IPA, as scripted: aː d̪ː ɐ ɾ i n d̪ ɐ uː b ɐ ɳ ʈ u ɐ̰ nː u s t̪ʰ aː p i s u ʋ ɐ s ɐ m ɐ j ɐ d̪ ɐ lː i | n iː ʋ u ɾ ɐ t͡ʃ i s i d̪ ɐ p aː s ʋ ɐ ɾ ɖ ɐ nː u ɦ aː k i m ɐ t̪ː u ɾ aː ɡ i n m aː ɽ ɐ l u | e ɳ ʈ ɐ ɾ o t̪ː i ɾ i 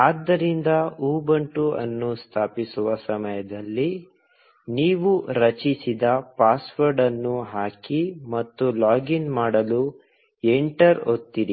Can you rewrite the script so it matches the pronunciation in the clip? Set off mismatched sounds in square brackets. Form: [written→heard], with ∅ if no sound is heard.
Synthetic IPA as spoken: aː d̪ː ɐ ɾ i n d̪ ɐ uː b ɐ ɳ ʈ u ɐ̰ nː u s t̪ʰ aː p i s u ʋ ɐ s ɐ m ɐ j ɐ d̪ ɐ lː i | n iː ʋ u ɾ ɐ t͡ʃ i s i d̪ ɐ p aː s ʋ ɐ ɾ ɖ ɐ nː u ɦ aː k i m ɐ t̪ː u [ɾ→l] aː ɡ i n m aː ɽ ɐ l u | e ɳ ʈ ɐ ɾ o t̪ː i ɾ i